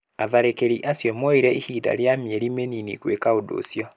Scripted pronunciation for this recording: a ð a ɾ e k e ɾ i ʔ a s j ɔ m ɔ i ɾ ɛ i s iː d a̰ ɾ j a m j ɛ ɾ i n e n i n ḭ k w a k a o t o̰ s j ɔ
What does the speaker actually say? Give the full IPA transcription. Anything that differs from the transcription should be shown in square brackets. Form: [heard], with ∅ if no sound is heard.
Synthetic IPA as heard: a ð a ɾ e k e ɾ i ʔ a s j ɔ m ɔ i ɾ ɛ i [h] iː d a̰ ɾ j a m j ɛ ɾ i [m] e n i n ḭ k w [e] k a o [d] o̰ s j ɔ